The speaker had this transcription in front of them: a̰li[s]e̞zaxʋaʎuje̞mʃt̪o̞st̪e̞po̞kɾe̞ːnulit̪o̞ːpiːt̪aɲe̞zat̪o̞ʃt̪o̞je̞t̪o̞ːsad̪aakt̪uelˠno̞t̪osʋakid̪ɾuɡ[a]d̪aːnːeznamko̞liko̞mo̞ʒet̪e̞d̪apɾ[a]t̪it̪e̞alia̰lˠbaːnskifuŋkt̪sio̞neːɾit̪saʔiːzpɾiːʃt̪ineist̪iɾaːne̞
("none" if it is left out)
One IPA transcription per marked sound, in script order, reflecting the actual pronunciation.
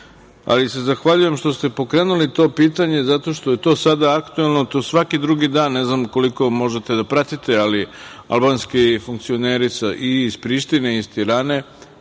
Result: s, i, a

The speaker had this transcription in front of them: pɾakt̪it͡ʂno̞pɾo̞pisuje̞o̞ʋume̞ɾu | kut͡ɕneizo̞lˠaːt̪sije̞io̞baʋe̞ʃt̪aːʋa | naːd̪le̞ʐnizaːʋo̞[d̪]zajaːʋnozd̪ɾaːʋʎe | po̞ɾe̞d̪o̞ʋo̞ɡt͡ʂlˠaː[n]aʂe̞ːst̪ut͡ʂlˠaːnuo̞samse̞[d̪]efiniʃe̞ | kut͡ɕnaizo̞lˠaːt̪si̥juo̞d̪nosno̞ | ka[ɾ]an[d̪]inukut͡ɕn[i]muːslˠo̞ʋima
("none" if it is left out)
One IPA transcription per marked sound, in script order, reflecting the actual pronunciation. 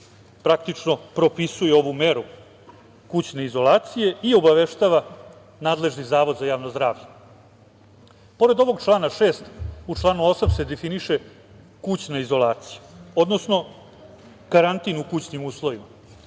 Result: d̪, n, d̪, ɾ, t̪, i

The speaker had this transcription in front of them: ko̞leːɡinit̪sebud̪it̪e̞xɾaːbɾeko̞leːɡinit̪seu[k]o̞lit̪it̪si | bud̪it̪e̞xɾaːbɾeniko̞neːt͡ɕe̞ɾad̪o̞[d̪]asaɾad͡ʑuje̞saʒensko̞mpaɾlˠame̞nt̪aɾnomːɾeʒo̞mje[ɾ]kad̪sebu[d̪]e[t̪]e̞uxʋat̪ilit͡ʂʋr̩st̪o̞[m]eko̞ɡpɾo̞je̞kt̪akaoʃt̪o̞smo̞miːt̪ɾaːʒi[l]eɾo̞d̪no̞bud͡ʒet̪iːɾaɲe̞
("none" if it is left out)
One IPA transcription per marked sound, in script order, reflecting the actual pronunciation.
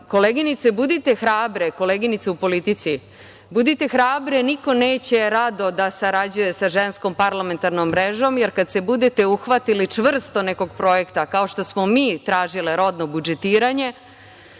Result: p, d̪, ɾ, d̪, t̪, n, l

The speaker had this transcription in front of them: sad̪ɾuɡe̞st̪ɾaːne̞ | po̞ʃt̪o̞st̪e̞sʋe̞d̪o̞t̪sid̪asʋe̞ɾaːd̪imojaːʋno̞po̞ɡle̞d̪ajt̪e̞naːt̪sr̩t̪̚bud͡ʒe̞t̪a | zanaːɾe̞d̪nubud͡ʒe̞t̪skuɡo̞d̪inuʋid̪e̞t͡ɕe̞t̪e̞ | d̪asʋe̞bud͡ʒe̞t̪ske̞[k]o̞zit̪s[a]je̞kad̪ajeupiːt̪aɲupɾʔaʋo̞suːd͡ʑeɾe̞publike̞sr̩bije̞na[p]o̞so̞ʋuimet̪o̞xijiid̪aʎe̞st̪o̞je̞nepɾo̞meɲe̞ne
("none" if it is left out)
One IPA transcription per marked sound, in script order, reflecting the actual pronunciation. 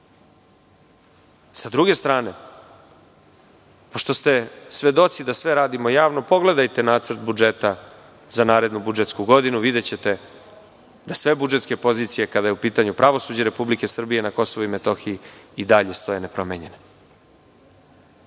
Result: p, i, k

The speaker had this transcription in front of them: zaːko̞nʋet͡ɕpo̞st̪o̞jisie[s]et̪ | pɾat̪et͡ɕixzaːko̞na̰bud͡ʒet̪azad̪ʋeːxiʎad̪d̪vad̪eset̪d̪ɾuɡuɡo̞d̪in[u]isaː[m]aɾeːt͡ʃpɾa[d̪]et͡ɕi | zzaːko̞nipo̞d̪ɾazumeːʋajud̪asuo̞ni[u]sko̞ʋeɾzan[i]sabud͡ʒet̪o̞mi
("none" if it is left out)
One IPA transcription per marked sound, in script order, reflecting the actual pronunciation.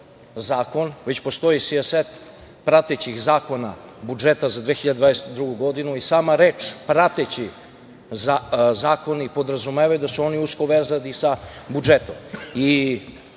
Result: s, u, m, t̪, u, i

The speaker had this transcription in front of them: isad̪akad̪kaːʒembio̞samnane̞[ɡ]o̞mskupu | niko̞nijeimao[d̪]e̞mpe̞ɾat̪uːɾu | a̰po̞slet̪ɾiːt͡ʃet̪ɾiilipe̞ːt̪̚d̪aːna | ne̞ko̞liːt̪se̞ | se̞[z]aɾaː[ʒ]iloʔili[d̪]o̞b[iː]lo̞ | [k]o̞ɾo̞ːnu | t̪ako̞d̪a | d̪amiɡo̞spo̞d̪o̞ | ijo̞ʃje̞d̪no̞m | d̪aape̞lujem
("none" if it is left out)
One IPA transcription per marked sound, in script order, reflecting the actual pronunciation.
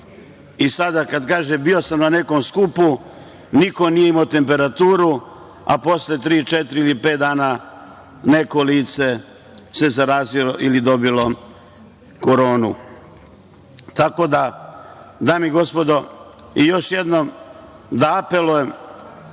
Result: k, t̪, z, z, d̪, i, k

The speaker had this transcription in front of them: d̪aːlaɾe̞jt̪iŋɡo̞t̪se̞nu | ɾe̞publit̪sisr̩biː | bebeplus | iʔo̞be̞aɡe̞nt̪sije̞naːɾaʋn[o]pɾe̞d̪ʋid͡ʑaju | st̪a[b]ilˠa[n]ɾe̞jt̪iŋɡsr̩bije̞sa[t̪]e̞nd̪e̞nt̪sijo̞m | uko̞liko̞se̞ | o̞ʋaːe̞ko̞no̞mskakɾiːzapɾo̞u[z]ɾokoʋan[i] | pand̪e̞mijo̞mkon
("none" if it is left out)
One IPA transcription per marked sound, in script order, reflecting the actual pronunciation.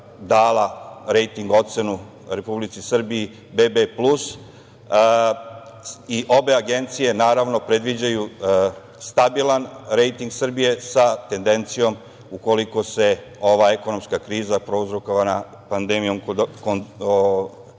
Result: o, b, n, t̪, z, a

